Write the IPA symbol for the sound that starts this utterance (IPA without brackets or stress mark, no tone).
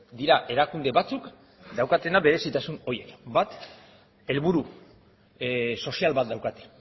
d̪